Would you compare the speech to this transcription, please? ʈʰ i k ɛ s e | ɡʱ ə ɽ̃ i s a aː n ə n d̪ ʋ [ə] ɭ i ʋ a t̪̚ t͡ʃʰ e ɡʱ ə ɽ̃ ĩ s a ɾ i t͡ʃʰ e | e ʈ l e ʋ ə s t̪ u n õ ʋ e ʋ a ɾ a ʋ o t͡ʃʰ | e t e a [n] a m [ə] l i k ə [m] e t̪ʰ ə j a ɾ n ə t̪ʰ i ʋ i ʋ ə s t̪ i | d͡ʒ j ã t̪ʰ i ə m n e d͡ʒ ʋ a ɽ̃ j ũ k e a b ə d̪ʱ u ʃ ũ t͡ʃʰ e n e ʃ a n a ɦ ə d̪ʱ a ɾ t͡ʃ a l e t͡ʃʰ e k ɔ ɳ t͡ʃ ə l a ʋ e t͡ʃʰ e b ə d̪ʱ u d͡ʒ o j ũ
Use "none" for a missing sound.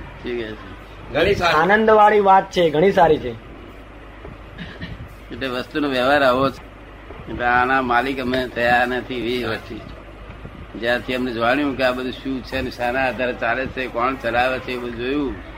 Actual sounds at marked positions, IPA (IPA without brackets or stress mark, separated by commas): a, n, a, m